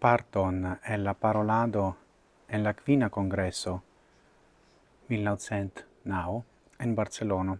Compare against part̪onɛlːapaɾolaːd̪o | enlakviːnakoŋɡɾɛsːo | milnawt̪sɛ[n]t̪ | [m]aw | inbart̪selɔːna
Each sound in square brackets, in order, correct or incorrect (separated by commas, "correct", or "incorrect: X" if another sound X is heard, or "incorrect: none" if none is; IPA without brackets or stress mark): correct, incorrect: n